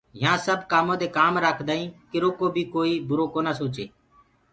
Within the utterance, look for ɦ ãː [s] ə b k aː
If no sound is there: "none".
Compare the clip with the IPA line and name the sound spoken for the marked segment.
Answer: s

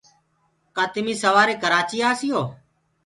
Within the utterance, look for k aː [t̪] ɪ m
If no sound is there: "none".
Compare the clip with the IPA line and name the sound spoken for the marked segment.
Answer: t̪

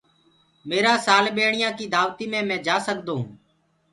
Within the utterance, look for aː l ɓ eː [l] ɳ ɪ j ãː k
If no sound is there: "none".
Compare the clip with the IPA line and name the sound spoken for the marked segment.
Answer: none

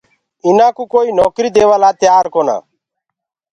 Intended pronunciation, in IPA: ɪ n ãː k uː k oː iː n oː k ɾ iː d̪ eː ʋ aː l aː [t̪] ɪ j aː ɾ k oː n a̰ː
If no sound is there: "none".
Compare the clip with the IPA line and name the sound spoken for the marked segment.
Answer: t̪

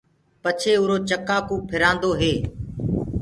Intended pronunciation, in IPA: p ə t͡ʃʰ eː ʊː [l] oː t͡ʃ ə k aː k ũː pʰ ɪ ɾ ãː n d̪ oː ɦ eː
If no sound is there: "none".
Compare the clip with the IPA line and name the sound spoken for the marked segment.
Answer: ɾ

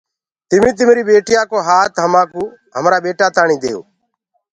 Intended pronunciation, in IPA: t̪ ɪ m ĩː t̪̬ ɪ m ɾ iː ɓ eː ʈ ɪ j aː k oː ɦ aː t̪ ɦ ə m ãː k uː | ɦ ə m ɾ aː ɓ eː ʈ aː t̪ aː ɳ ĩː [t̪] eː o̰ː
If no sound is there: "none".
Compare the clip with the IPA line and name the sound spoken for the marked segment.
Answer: d̪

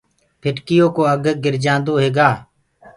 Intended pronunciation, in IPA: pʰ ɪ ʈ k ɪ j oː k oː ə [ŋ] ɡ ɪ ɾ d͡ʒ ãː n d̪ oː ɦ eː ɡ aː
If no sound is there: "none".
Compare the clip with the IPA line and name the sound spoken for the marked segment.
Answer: ɡ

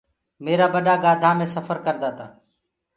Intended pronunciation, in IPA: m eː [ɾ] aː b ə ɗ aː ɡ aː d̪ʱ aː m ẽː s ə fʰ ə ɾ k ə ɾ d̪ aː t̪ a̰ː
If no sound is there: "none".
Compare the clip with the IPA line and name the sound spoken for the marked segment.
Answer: ɾ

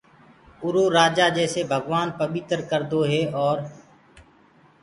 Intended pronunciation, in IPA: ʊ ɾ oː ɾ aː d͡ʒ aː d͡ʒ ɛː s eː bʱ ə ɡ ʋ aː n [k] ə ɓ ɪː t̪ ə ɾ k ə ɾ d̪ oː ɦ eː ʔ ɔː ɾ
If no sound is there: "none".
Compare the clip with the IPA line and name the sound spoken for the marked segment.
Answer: p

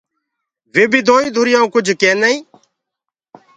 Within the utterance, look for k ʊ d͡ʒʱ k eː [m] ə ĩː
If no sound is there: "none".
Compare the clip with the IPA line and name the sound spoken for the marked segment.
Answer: n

